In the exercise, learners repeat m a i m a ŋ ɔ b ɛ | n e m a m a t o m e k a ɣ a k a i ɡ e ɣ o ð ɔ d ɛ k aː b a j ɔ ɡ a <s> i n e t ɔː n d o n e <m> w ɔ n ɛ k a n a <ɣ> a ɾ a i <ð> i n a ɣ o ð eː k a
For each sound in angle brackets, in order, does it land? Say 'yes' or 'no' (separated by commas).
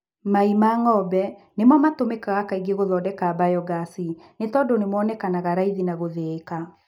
yes, yes, yes, yes